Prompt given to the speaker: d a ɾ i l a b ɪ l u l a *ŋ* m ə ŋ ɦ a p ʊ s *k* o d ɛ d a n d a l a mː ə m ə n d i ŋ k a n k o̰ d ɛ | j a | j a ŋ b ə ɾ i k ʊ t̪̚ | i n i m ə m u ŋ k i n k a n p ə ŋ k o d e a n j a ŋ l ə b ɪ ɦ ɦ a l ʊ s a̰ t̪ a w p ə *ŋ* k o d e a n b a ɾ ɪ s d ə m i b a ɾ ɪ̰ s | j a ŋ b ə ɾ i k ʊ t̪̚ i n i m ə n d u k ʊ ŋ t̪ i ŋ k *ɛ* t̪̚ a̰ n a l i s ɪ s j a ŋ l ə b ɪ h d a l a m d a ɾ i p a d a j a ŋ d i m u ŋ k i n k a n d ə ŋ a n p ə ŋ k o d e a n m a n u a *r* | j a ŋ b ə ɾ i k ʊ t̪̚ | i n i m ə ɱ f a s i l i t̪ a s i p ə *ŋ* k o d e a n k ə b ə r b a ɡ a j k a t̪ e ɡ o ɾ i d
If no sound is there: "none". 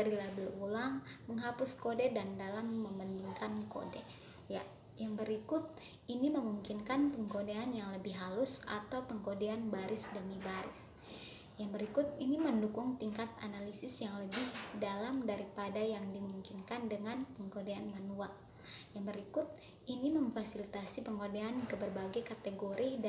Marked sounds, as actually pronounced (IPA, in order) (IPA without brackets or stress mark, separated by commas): ŋ, k, ŋ, a, l, ŋ